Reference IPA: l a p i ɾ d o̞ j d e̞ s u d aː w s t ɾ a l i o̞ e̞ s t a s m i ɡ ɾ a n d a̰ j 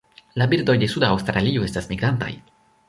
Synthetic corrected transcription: l a b i ɾ d o̞ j d e̞ s u d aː w s t ɾ a l i o̞ e̞ s t a s m i ɡ ɾ a n t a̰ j